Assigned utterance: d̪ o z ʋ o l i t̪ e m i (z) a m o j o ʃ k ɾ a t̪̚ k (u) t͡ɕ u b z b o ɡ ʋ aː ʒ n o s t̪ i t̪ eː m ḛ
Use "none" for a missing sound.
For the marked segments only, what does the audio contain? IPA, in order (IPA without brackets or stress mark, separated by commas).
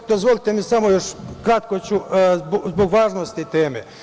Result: s, o